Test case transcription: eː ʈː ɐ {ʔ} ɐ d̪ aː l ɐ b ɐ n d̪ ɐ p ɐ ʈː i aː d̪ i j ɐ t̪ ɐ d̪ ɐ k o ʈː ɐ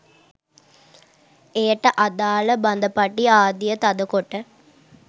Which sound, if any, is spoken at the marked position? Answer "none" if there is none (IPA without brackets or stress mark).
ʔ